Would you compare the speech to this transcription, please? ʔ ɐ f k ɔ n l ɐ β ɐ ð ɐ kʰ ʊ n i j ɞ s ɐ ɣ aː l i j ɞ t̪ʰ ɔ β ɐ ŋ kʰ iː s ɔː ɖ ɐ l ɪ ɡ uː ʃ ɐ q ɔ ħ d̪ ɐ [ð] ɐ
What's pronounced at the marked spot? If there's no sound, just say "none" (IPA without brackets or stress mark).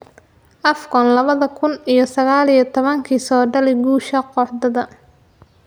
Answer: ð